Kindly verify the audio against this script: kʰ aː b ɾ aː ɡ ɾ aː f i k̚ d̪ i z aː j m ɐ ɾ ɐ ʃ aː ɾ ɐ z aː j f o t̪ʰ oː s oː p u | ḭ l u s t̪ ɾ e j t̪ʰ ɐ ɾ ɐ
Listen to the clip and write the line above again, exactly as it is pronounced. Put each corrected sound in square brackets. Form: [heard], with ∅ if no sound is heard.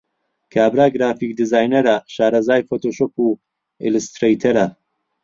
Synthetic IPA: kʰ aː b ɾ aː ɡ ɾ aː f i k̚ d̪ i z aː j [n] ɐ ɾ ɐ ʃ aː ɾ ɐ z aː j f o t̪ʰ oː [ʃ] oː p u | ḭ l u s t̪ ɾ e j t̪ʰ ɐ ɾ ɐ